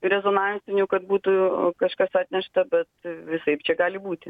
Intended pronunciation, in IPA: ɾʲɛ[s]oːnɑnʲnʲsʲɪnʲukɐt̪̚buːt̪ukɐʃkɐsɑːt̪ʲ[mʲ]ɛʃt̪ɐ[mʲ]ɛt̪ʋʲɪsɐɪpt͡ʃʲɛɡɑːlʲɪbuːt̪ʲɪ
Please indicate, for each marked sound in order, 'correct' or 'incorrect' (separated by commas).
incorrect, incorrect, incorrect